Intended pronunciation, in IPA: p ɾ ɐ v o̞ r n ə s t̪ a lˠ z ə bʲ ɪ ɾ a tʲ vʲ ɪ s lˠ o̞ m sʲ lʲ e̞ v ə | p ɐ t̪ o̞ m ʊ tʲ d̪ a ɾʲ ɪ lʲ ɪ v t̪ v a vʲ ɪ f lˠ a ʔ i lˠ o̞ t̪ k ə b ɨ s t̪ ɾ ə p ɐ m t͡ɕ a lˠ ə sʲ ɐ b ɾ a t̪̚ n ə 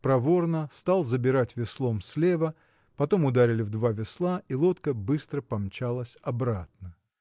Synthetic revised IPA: p ɾ ɐ v o̞ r n ə s t̪ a lˠ z ə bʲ ɪ ɾ a tʲ vʲ ɪ s lˠ o̞ m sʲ lʲ e̞ v ə | p ɐ t̪ o̞ m ʊ d̪ a ɾʲ ɪ lʲ ɪ v d̪ v a vʲ ɪ s lˠ a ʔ i lˠ o̞ t̪ k ə b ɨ s t̪ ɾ ə p ɐ m t͡ɕ a lˠ ə sʲ ɐ b ɾ a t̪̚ n ə

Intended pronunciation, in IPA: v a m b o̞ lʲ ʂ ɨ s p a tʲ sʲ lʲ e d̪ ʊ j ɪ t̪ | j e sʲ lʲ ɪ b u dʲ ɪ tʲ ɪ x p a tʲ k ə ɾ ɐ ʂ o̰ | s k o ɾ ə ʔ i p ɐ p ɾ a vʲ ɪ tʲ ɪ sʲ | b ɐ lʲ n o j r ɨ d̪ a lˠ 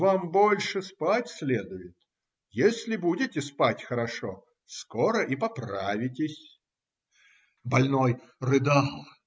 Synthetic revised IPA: v a m b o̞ lʲ ʂ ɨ s p a tʲ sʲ lʲ e d̪ ʊ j ɪ t̪ | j e sʲ lʲ ɪ b u dʲ ɪ tʲ ɪ s p a tʲ x ə ɾ ɐ ʂ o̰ | s k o ɾ ə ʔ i p ɐ p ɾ a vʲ ɪ tʲ ɪ sʲ | b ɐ lʲ n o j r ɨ d̪ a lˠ

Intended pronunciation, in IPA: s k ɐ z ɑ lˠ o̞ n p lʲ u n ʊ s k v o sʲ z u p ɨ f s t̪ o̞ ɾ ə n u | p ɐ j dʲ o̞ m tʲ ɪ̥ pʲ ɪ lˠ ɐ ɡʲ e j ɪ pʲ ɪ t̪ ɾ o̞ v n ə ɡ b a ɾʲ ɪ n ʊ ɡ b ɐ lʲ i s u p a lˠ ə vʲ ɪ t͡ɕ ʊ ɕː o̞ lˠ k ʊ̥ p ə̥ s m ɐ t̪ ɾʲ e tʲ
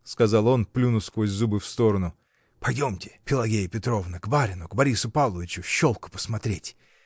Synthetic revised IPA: s k ɐ z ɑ lˠ o̞ n p lʲ u n ʊ s k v o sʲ z u b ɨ f s t̪ o̞ ɾ ə n ʊ | p ɐ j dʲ o̞ m tʲ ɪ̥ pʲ ɪ lˠ ɐ ɡʲ e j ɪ pʲ ɪ t̪ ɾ o̞ v n ə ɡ b a ɾʲ ɪ n ʊ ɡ b ɐ ɾʲ i s ʊ p a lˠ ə vʲ ɪ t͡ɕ ʊ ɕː o̞ lˠ k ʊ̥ p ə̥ s m ɐ t̪ ɾʲ e tʲ

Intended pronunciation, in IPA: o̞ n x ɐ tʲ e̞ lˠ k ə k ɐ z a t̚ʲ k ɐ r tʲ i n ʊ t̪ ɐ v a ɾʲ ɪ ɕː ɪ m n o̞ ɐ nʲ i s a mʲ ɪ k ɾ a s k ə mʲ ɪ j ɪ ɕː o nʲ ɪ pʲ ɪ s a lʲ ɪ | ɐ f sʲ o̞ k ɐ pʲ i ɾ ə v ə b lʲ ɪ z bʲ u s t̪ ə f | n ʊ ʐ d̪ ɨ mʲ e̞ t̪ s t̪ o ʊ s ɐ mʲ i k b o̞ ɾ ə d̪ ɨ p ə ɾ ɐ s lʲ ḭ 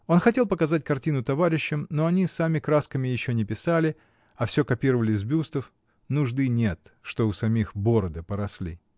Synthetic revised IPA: o̞ n x ɐ tʲ e̞ lˠ p ə k ɐ z a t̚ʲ k ɐ r tʲ i n ʊ t̪ ɐ v a ɾʲ ɪ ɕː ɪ m n o̞ ɐ nʲ i s a mʲ ɪ k ɾ a s k ə mʲ ɪ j ɪ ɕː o nʲ ɪ pʲ ɪ s a lʲ ɪ | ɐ f sʲ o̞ k ɐ pʲ i ɾ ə v ə lʲ ɪ z bʲ u s t̪ ə f | n ʊ ʐ d̪ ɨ nʲ e̞ t̪ ʂ t̪ o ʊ s ɐ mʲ i x b o̞ ɾ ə d̪ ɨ p ə ɾ ɐ s lʲ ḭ

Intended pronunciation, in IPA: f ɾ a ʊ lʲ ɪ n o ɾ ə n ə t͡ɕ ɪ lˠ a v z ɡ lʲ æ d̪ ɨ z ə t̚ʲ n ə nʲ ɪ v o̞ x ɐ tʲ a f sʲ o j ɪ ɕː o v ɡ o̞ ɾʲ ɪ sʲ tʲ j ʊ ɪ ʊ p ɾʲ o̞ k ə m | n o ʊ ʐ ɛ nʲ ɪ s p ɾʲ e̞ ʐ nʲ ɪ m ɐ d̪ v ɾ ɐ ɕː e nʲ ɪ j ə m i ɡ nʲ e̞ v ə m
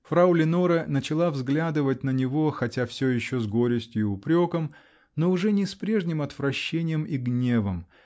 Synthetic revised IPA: f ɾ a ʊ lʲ ɪ n o ɾ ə n ə t͡ɕ ɪ lˠ a v z ɡ lʲ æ d̪ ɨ v ə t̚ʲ n ə nʲ ɪ v o̞ x ɐ tʲ a f sʲ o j ɪ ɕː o z ɡ o̞ ɾʲ ɪ sʲ tʲ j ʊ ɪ ʊ p ɾʲ o̞ k ə m | n o ʊ ʐ ɛ nʲ ɪ s p ɾʲ e̞ ʐ nʲ ɪ m ɐ t̪ v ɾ ɐ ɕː e nʲ ɪ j ə m i ɡ nʲ e̞ v ə m

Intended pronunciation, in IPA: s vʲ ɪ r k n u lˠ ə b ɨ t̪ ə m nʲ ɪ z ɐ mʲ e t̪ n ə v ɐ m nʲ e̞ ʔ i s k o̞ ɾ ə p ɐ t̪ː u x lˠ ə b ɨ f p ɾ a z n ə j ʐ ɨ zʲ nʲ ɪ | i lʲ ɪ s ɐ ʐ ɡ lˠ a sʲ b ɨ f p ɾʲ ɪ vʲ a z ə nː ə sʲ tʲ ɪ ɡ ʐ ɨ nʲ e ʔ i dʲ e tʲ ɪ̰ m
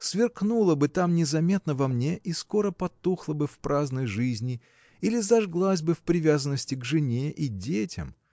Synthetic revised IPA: s vʲ ɪ r k n u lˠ ə b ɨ t̪ a m nʲ ɪ z ɐ mʲ e t̪ n ə v ɐ m nʲ e̞ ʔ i s k o̞ ɾ ə p ɐ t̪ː u x lˠ ə b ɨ f p ɾ a z n ə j ʐ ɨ zʲ nʲ ɪ | i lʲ ɪ z ɐ ʐ ɡ lˠ a sʲ b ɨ f p ɾʲ ɪ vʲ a z ə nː ə sʲ tʲ ɪ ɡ ʐ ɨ nʲ e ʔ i dʲ e tʲ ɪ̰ m

